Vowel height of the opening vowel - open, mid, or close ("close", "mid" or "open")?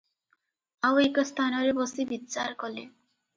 open